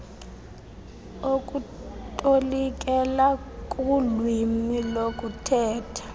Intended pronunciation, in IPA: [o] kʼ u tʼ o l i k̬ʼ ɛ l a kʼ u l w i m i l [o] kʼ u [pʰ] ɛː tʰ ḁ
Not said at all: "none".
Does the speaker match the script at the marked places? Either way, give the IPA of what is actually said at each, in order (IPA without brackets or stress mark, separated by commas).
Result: o, o, tʰ